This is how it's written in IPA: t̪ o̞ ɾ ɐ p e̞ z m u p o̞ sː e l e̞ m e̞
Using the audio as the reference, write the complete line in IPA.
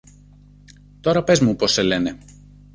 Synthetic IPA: t̪ o̞ ɾ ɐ p e̞ z m u p o̞ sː e l e̞ n e̞